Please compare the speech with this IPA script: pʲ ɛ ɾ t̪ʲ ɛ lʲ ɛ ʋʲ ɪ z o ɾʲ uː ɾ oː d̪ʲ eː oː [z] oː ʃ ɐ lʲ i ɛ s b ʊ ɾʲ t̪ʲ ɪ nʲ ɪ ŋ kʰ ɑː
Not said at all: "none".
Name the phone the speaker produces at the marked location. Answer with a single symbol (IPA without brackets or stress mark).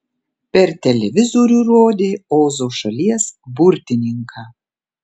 z